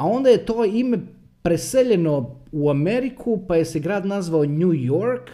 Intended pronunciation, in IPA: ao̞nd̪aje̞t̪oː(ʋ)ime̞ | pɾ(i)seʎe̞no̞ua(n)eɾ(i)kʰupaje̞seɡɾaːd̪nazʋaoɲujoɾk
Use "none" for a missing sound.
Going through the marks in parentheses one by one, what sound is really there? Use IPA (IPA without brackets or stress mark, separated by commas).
none, e, m, i